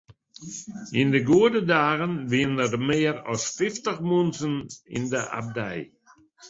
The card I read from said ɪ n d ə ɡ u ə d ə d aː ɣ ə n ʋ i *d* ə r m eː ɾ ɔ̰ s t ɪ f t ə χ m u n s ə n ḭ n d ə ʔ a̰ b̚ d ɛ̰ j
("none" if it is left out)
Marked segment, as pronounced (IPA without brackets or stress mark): n